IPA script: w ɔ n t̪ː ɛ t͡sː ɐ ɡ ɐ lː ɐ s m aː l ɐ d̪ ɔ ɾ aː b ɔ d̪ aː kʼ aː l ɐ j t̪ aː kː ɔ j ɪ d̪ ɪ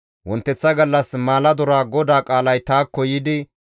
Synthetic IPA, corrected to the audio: w ɔ n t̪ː ɛ t͡sː ɐ ɡ ɐ lː ɐ s m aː l ɐ d̪ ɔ ɾ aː ɡ ɔ d̪ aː kʼ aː l ɐ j t̪ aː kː ɔ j ɪ d̪ ɪ